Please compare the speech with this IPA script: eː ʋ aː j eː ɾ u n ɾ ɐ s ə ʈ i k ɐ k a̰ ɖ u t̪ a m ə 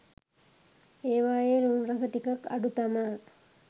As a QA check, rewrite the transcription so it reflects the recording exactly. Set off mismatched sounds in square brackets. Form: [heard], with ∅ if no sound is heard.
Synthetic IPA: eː ʋ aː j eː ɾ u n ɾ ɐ s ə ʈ i k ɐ k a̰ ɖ u t̪ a m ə